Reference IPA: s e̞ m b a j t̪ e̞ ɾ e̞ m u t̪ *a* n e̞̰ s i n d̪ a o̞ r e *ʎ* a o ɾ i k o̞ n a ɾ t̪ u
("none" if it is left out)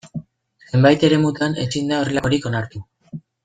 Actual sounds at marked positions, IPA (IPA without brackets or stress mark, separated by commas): a, l